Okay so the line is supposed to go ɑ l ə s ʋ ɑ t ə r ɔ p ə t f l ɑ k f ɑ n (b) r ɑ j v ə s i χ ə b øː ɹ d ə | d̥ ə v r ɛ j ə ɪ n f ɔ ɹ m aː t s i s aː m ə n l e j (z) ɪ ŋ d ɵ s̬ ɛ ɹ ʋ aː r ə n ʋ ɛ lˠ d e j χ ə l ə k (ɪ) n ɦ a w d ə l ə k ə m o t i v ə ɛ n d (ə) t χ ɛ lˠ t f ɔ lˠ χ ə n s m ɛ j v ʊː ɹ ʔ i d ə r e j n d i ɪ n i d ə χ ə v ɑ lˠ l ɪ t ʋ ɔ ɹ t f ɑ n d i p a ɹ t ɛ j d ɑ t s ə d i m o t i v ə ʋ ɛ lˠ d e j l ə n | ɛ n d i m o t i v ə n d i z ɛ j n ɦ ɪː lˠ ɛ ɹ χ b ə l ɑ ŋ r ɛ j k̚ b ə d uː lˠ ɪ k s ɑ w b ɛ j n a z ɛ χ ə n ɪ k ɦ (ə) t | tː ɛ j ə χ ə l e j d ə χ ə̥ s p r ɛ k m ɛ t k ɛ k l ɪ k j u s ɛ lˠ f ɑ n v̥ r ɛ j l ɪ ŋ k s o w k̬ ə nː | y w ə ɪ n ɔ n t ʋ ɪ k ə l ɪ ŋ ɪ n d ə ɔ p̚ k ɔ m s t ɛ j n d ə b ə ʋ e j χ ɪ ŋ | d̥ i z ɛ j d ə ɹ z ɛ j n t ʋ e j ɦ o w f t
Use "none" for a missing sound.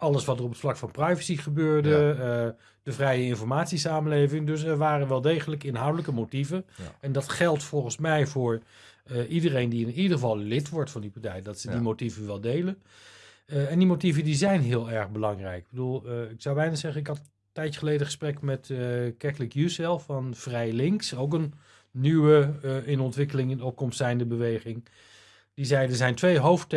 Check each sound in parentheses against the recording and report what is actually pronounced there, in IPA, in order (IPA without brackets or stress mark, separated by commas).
p, v, ɪ, ɑ, ɑ